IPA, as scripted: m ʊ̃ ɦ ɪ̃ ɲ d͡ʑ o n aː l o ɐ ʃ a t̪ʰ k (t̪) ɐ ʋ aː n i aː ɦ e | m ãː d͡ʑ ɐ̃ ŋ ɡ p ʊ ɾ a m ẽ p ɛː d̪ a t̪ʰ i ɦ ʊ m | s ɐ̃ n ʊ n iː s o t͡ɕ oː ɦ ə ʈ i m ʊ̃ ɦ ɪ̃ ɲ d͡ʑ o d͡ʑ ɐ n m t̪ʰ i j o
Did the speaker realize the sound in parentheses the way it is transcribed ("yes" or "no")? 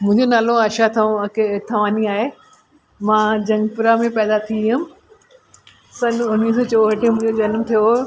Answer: no